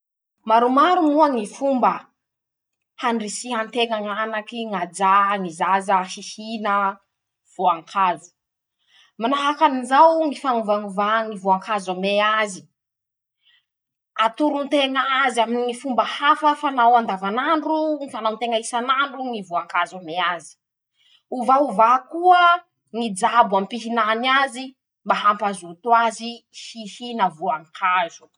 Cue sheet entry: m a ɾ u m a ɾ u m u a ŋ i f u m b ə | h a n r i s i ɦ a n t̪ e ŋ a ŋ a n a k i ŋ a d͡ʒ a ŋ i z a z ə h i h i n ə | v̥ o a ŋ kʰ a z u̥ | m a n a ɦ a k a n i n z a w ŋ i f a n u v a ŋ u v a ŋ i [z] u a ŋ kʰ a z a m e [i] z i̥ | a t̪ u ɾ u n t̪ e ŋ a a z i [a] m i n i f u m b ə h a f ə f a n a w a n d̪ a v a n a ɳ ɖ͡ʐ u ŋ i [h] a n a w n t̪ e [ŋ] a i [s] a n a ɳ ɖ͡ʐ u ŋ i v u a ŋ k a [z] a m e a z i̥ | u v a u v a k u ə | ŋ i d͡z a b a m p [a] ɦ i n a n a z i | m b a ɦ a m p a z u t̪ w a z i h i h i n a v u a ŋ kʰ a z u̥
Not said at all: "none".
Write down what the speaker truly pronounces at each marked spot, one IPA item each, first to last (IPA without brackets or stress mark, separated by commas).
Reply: v, a, a, f, ŋ, s, z, i